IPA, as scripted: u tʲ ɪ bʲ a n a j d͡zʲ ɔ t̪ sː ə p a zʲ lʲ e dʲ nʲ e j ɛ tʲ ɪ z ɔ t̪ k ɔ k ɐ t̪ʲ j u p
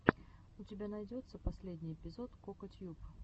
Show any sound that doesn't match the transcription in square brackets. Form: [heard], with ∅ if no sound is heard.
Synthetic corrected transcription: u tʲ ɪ bʲ a n a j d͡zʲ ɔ t̪ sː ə p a [sʲ] lʲ e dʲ nʲ [i] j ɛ [pʲ] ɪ z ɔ t̪ k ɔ k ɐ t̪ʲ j u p